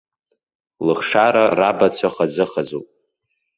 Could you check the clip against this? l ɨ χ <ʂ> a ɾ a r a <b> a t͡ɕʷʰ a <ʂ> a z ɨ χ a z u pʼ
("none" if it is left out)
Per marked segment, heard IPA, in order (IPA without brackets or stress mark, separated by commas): ʂ, b, χ